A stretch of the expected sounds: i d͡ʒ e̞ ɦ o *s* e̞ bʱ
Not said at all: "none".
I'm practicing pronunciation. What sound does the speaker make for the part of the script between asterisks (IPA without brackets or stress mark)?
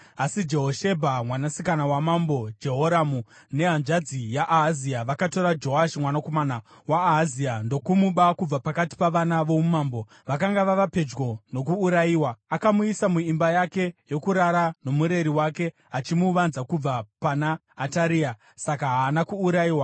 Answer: ʃ